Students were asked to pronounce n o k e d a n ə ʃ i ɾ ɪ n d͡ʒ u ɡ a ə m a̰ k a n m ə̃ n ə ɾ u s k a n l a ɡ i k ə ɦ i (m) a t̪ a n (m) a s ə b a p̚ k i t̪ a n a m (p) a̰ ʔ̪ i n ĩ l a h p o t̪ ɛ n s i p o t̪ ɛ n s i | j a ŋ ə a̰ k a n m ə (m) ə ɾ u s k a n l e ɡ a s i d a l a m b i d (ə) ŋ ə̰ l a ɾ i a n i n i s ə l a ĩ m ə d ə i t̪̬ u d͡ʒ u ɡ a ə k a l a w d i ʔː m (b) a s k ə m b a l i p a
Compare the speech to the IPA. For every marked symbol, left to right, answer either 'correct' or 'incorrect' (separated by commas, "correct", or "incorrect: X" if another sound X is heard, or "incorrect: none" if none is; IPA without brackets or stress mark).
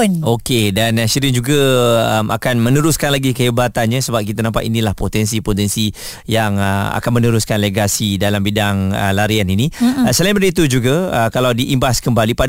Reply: incorrect: b, incorrect: ɲ, correct, incorrect: n, incorrect: a, correct